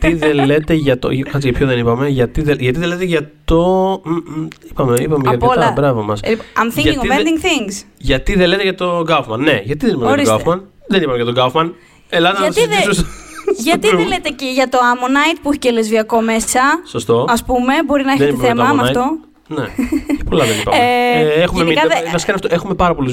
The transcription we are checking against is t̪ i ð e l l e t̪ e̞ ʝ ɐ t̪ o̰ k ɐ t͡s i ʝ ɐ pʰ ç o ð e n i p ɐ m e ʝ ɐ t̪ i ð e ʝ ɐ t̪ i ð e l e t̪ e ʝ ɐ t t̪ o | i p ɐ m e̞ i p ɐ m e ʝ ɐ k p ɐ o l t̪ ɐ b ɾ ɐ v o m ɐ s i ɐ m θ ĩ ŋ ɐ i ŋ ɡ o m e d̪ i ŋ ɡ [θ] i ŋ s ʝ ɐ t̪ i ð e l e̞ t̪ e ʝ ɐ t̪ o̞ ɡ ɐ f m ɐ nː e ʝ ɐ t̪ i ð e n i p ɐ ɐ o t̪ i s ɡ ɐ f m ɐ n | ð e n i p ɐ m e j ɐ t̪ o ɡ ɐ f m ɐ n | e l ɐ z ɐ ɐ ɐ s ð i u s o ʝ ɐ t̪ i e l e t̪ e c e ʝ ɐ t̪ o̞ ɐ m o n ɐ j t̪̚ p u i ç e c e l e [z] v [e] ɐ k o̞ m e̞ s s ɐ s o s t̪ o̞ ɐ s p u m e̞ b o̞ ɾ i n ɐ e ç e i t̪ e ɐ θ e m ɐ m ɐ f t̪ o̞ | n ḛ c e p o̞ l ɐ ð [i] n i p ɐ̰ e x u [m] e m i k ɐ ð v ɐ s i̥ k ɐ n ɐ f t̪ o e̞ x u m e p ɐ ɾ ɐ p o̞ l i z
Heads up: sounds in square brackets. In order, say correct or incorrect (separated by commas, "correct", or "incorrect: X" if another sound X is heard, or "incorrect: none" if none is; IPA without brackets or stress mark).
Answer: correct, correct, incorrect: i, incorrect: e, correct